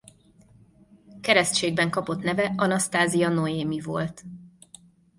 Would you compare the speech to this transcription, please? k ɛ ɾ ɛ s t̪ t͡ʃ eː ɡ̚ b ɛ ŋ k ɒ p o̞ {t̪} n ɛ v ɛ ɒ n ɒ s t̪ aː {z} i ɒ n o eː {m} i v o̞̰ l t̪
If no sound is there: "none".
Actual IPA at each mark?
t̪, z, m

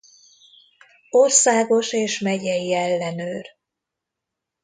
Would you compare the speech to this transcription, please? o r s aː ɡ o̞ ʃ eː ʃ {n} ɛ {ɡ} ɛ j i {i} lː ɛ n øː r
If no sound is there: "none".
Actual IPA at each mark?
m, ɟ, ɛ

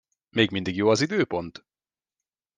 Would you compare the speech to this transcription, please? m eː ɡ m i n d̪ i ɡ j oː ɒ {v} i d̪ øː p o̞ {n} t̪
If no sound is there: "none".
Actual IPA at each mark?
z, n

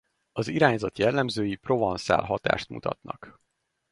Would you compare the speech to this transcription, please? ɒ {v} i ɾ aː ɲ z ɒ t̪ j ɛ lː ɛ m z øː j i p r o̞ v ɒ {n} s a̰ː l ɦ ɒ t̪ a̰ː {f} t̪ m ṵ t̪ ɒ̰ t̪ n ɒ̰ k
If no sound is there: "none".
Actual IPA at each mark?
z, n, ʃ

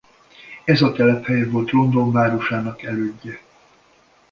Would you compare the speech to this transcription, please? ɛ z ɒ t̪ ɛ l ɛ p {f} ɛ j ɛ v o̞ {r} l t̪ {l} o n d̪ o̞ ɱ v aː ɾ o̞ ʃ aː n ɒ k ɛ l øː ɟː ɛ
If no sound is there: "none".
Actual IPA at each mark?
h, none, r

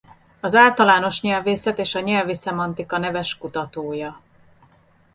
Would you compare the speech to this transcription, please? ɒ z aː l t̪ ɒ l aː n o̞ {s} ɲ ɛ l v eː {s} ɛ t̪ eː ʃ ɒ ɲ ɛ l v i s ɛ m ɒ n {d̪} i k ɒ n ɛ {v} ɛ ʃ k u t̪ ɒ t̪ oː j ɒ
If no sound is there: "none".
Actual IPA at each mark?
ʃ, s, t̪, v

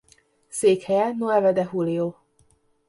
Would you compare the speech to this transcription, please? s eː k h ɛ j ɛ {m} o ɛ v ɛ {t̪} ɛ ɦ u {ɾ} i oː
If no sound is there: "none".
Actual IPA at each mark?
n, d̪, l

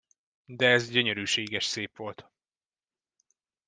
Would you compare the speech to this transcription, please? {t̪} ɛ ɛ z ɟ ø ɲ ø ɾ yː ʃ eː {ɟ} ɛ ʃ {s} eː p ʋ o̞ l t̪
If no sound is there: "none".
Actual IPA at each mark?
d̪, ɡ, s

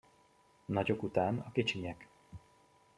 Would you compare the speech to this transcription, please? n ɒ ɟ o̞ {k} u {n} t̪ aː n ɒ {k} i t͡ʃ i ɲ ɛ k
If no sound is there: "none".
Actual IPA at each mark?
k, none, k

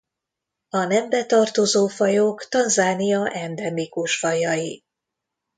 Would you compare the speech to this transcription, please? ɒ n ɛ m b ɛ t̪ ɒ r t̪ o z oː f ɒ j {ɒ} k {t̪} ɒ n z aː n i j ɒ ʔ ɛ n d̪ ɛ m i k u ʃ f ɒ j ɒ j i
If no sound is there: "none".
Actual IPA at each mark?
o, t̪

